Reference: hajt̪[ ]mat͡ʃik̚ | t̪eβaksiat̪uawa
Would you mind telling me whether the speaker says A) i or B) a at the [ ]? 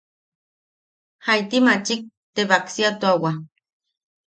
A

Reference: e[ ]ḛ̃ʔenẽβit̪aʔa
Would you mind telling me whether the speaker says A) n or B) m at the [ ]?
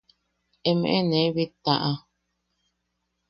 B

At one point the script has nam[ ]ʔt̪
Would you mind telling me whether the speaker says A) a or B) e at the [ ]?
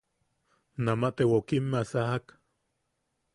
A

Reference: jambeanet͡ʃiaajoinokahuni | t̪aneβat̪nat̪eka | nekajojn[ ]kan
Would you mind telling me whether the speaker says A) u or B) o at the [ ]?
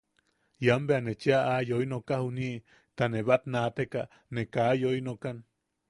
B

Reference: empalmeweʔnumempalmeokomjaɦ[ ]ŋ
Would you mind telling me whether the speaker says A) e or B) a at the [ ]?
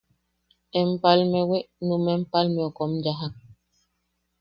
B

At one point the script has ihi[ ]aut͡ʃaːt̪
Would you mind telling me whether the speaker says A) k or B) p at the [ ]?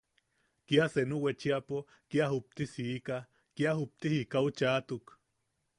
A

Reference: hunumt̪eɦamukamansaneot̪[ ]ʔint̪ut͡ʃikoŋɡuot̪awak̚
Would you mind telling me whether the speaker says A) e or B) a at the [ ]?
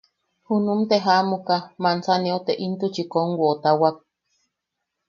A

